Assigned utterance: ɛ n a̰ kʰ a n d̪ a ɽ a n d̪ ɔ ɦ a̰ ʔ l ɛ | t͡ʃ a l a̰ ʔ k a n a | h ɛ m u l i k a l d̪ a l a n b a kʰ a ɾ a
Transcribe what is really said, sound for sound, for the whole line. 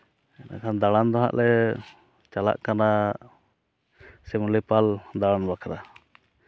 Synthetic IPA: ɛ n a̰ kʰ a n d̪ a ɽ a n d̪ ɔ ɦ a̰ ʔ l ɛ | t͡ʃ a l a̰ ʔ k a n a | s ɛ m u l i p a l d̪ a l a n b a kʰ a ɾ a